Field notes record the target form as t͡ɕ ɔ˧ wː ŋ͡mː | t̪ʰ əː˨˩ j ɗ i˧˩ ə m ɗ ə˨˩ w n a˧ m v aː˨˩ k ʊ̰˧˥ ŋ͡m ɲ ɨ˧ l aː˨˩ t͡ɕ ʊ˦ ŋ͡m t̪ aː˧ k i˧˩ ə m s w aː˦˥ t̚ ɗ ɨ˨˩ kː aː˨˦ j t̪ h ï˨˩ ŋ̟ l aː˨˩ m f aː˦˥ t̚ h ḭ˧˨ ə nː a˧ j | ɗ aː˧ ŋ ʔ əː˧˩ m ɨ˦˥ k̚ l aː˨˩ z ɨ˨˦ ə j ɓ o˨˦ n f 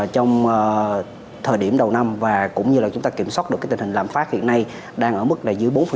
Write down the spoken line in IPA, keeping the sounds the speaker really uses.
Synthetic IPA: t͡ɕ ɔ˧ w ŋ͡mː | t̪ʰ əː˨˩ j ɗ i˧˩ ə m ɗ ə˨˩ w n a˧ m v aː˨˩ k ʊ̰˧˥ ŋ͡m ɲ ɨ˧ l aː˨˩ t͡ɕ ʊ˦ ŋ͡m t̪ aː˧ k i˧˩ ə m s w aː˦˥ t̚ ɗ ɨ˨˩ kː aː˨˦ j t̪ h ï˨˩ ŋ̟ l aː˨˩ m f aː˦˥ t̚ h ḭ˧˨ ə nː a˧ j | ɗ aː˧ ŋ ʔ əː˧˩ m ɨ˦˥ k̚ l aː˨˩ z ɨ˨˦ ə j ɓ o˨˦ n f